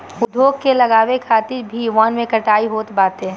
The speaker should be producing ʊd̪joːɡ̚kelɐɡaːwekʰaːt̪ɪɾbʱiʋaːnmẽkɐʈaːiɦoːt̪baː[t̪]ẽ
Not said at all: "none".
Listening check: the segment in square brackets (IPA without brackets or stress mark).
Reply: t̪